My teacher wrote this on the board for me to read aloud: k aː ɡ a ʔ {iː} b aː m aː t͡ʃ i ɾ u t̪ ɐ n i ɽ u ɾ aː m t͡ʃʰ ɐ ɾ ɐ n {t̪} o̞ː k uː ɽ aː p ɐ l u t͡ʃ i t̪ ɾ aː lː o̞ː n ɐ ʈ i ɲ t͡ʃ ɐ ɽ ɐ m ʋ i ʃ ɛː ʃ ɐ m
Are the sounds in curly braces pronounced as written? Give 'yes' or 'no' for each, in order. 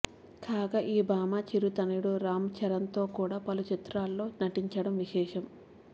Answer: yes, yes

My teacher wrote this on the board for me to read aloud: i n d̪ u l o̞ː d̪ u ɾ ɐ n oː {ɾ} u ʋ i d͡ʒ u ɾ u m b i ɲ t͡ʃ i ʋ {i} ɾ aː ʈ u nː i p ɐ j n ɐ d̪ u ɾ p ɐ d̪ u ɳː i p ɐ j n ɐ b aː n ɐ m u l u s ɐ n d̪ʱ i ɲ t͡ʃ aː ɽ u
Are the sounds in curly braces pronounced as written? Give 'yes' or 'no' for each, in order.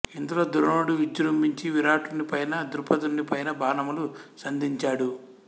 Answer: no, yes

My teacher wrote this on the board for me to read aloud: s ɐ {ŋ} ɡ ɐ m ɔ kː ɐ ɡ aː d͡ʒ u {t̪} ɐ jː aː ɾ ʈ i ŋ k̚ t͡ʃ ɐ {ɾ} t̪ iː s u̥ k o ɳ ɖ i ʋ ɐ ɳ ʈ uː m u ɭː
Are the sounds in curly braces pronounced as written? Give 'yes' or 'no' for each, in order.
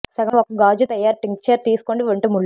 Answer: no, yes, yes

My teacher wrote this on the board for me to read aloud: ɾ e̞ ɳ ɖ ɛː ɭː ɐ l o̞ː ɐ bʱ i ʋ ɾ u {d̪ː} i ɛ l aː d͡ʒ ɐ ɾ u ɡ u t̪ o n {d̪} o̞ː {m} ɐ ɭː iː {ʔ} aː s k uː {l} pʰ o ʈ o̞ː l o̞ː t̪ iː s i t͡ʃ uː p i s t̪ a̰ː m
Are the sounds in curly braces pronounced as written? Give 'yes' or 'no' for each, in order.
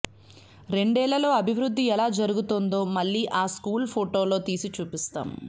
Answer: yes, yes, yes, yes, yes

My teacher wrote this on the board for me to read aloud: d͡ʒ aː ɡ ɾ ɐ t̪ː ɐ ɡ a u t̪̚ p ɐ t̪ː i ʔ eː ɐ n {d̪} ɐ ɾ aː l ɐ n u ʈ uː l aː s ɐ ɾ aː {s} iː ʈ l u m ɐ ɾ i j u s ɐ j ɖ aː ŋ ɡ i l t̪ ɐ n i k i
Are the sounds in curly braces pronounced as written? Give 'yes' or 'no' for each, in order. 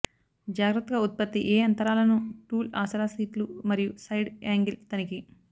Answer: no, yes

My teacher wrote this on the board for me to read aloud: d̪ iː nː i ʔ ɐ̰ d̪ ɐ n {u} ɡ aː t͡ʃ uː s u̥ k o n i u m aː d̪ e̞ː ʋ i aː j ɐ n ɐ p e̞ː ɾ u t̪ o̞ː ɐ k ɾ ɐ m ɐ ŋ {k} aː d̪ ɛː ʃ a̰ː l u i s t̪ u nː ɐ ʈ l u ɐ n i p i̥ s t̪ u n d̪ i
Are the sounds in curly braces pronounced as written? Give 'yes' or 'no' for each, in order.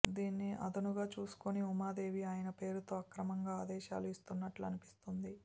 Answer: yes, no

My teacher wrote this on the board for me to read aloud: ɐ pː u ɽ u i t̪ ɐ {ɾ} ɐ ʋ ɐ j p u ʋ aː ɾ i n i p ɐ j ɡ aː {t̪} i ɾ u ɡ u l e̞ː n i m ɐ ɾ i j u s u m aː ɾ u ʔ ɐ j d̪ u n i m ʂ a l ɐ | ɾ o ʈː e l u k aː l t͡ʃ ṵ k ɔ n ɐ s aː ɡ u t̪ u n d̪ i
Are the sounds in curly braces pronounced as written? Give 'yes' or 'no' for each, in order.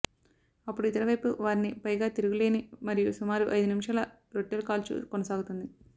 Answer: yes, yes

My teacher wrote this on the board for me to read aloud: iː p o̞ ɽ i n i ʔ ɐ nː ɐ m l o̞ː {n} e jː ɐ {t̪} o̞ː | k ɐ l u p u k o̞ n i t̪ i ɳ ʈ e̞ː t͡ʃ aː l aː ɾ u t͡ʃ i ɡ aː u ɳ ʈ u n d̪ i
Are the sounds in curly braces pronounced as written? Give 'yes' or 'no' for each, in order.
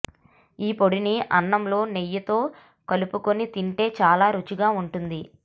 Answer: yes, yes

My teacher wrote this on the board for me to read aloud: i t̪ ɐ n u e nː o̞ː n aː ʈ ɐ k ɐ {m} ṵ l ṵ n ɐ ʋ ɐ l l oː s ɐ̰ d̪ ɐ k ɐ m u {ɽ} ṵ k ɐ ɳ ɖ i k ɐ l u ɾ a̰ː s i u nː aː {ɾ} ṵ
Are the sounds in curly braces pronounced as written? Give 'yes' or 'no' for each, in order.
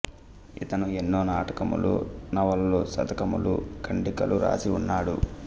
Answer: yes, no, no

